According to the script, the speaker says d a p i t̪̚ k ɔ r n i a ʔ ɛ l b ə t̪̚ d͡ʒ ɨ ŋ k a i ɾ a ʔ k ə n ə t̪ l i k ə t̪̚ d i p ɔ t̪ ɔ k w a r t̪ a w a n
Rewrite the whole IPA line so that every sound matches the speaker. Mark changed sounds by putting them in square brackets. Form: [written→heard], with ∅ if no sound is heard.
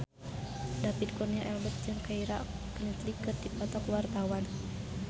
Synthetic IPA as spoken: d a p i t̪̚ k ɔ r n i a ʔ ɛ l b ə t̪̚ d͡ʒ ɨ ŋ k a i ɾ a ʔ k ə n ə t̪ l i k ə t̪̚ d i p ɔ t̪ ɔ k w a r t̪ a w a n